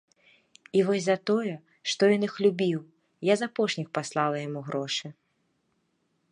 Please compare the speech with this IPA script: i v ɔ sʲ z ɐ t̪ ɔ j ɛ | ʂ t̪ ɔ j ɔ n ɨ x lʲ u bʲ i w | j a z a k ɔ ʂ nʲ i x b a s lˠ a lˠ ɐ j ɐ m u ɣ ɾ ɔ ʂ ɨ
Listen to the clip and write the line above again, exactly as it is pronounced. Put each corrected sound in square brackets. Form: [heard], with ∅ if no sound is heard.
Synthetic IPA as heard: i v ɔ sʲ z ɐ t̪ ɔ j ɛ | ʂ t̪ ɔ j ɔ n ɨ x lʲ u bʲ i w | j a z a [p] ɔ ʂ nʲ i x [p] a s lˠ a lˠ ɐ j [a] m u ɣ ɾ ɔ ʂ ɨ